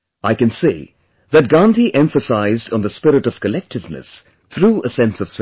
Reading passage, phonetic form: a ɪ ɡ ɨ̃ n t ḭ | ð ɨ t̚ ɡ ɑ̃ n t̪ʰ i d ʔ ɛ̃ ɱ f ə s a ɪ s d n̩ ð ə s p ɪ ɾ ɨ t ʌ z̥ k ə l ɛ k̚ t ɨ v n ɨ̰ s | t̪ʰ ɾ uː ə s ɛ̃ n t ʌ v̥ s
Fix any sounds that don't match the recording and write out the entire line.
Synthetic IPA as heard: a ɪ k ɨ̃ n s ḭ | ð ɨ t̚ ɡ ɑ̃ n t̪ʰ i ʔ ɛ̃ ɱ f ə s a ɪ z d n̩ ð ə s p ɪ ɾ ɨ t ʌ v̥ k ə l ɛ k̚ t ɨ v n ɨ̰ s | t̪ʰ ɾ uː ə s ɛ̃ n s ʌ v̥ s

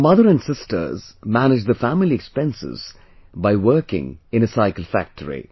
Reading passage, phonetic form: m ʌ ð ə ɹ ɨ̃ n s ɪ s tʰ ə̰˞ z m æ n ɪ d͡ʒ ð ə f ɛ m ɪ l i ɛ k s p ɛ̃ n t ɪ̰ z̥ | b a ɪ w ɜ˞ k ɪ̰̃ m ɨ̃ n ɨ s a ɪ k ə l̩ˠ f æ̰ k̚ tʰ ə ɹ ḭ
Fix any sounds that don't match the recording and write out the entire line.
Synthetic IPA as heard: m ʌ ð ə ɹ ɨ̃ n s ɪ s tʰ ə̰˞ z m æ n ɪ d͡ʒ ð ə f æ m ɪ l i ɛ k s p ɛ̃ n s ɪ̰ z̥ | b a ɪ w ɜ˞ k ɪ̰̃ ŋ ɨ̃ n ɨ s a ɪ k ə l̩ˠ f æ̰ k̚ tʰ ə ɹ ḭ

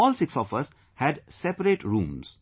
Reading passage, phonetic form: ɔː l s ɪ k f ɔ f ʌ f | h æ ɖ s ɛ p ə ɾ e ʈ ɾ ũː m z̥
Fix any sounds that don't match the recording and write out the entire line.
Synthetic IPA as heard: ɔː l s ɪ k s ɔ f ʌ s | h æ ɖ s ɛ p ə ɾ e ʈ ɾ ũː m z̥

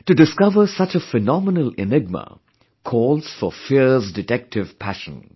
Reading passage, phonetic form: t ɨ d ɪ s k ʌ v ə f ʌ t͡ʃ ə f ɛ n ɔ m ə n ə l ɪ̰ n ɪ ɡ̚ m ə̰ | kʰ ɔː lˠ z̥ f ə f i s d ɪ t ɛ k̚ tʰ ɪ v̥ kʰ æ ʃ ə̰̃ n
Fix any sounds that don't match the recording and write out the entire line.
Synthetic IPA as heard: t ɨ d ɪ s k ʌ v ə s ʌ t͡ʃ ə f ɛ n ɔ m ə n ə l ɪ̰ n ɪ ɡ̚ m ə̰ | kʰ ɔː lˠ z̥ f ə f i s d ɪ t ɛ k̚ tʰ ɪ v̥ pʰ æ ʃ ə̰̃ n

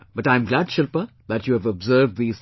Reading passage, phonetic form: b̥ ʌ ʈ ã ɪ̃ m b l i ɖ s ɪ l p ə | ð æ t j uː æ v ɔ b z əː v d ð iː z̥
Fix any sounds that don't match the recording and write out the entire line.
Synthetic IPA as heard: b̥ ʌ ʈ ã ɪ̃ m ɡ l æ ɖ ʃ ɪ l p ə | ð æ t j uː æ v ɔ b z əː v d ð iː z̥

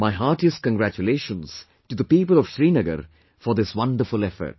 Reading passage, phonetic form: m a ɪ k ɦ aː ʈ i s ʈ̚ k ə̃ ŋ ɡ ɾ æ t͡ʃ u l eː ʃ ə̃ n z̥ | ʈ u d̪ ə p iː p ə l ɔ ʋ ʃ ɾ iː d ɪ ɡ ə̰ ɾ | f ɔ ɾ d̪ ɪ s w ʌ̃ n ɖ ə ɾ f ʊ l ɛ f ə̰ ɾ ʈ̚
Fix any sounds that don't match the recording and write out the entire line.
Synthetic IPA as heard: m a ɪ ɦ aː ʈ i s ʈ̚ k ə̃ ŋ ɡ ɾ æ t͡ʃ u l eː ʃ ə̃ n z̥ | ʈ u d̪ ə p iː p ə l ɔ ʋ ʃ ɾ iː n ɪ ɡ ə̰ ɾ | f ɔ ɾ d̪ ɪ s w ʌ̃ n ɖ ə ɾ f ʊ l ɛ f ə̰ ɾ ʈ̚

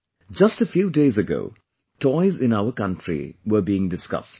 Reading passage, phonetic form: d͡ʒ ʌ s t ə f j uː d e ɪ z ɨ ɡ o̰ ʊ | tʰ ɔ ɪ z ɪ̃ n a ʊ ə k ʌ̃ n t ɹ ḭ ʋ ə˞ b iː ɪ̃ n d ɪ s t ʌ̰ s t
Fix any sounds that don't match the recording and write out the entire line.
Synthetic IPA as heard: d͡ʒ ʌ s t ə f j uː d e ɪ z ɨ ɡ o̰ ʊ | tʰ ɔ ɪ z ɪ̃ n a ʊ ə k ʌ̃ n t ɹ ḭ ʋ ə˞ b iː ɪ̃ ŋ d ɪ s k ʌ̰ s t

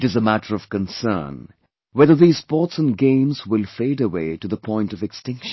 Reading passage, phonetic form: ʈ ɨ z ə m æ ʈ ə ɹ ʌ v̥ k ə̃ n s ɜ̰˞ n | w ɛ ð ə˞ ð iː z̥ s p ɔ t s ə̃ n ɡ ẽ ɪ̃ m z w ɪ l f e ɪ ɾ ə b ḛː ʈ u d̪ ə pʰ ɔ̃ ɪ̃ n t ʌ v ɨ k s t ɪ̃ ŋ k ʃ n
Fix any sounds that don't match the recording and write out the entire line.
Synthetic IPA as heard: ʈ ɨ z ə m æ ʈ ə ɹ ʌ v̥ k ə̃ n s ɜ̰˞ n | w ɛ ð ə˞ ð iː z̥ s p ɔ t s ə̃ n ɡ ẽ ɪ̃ m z w ɪ l f e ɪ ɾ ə w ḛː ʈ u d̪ ə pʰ ɔ̃ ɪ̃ n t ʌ v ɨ k s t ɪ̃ ŋ k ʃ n

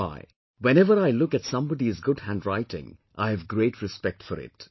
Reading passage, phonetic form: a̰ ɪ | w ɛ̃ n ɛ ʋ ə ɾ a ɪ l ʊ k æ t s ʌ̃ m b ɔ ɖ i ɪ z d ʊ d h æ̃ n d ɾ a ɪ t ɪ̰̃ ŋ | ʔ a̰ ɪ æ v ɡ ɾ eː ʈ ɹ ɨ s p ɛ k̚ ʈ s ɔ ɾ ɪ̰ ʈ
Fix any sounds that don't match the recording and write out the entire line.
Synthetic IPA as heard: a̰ ɪ | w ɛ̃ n ɛ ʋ ə ɾ a ɪ l ʊ k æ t s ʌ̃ m b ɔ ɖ i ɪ z ɡ ʊ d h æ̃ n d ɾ a ɪ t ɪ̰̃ ŋ | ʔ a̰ ɪ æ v ɡ ɾ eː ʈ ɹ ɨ s p ɛ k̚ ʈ f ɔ ɾ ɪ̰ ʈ

